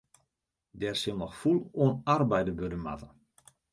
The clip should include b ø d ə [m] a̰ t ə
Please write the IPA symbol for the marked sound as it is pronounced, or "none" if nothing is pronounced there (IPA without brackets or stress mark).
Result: m